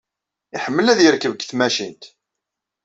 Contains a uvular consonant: no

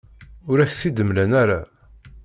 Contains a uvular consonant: no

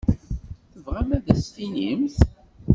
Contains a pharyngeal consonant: no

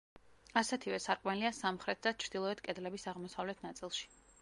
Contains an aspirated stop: yes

